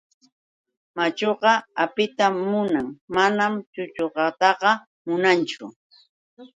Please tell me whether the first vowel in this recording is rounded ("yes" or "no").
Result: no